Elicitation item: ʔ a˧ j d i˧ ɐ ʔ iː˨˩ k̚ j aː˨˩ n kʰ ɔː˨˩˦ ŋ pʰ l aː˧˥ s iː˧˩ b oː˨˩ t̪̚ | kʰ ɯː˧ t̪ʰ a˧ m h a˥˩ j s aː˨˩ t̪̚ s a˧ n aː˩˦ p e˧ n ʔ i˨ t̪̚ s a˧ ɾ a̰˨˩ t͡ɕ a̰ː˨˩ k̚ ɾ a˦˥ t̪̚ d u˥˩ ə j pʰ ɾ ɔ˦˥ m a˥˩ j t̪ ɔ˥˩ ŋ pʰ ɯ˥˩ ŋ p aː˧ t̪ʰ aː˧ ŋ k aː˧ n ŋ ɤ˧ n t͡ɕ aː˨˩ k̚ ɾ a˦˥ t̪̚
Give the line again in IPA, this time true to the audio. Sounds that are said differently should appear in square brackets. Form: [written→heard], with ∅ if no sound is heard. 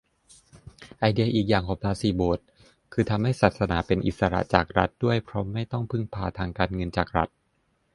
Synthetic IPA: ʔ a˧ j d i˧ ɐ ʔ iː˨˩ k̚ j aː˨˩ [n→ŋ] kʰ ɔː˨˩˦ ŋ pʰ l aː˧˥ s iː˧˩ b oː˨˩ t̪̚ | kʰ ɯː˧ t̪ʰ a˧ m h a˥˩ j s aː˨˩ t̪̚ s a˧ n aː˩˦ p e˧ n ʔ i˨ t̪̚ s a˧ ɾ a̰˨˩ t͡ɕ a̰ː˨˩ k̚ ɾ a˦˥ t̪̚ d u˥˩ ə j pʰ ɾ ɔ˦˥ m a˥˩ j t̪ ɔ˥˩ ŋ pʰ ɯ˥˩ ŋ [p→pʰ] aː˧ t̪ʰ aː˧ ŋ k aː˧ n ŋ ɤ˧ n t͡ɕ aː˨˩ k̚ ɾ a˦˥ t̪̚